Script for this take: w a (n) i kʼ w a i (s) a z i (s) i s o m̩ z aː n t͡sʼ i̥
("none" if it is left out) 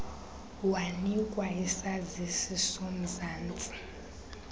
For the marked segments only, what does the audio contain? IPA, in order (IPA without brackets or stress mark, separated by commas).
n, s, s